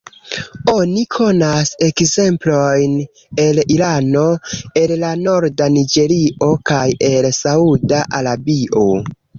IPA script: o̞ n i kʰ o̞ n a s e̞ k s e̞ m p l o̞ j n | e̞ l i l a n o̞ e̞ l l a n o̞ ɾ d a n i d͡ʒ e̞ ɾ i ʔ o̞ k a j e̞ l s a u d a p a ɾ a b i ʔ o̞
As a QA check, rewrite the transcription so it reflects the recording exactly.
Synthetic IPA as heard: o̞ n i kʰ o̞ n a s e̞ k z e̞ m p l o̞ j n | e̞ l i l a n o̞ e̞ l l a n o̞ ɾ d a n i d͡ʒ e̞ ɾ i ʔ o̞ k a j e̞ l s a u d a ʔ a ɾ a b i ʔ o̞